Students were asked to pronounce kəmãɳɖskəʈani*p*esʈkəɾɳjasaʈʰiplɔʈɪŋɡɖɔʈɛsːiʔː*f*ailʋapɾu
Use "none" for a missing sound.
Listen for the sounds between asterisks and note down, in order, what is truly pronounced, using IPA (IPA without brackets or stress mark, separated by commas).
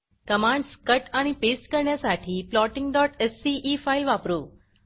p, f